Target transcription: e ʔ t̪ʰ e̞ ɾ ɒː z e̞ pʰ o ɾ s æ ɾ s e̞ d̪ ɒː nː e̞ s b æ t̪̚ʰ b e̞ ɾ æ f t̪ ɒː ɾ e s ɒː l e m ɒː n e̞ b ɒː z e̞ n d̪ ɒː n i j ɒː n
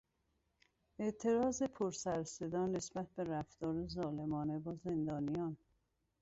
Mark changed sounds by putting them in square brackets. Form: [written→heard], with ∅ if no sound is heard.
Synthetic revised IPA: e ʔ t̪ʰ e̞ ɾ ɒː z e̞ pʰ o ɾ s æ ɾ s e̞ d̪ ɒː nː e̞ s b æ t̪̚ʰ b e̞ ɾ æ f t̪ ɒː ɾ e [s→z] ɒː l e m ɒː n e̞ b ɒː z e̞ n d̪ ɒː n i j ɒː n